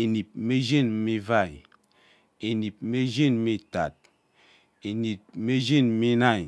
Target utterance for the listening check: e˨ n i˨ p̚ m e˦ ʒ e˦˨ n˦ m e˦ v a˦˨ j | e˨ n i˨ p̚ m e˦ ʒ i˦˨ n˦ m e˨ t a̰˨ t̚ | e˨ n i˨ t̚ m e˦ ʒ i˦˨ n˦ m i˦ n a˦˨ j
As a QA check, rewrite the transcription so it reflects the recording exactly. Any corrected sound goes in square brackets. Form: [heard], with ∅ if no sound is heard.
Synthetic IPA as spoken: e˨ n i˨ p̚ m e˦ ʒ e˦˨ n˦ m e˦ v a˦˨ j | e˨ n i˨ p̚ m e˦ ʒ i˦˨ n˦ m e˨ t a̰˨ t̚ | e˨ n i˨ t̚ m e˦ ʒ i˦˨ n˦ m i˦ n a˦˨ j